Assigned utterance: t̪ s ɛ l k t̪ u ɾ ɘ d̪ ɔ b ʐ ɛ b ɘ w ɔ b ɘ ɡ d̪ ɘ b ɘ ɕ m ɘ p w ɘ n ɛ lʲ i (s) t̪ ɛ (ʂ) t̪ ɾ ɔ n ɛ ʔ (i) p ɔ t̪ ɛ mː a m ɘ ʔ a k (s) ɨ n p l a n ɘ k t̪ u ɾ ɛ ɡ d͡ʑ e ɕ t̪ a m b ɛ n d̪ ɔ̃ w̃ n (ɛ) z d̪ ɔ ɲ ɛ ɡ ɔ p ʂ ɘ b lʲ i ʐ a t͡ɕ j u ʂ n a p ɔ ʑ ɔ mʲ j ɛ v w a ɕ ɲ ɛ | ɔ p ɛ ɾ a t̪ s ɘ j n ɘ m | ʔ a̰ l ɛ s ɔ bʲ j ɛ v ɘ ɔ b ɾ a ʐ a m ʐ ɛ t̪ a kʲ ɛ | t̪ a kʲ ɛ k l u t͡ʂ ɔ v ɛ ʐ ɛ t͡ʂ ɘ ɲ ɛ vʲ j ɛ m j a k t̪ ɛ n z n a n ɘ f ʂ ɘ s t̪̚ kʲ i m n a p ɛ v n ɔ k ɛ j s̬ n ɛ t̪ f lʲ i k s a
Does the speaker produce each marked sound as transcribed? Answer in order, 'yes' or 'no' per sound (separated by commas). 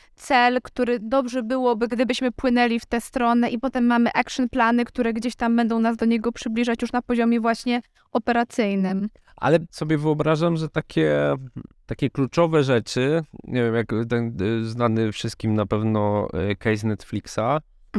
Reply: no, no, yes, no, no